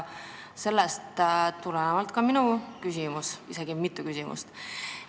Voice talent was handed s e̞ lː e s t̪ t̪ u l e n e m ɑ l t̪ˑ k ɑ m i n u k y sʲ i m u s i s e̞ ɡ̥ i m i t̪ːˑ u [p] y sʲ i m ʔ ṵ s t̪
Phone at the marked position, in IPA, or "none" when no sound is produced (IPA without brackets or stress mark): k